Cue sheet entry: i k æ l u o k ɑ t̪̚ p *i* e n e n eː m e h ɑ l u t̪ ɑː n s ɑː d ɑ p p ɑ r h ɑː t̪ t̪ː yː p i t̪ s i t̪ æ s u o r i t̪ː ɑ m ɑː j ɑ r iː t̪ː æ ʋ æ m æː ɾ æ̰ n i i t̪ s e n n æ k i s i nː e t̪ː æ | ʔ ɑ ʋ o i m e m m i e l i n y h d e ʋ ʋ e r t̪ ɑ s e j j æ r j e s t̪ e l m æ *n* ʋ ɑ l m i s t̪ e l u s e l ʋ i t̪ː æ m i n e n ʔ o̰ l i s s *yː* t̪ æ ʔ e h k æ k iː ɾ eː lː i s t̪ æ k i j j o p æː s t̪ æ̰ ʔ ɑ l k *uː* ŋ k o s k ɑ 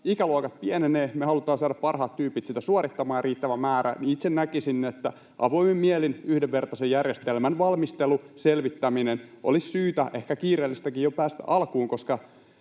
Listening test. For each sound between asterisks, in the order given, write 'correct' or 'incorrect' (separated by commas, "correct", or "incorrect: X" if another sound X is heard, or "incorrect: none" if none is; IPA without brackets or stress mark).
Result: correct, correct, correct, correct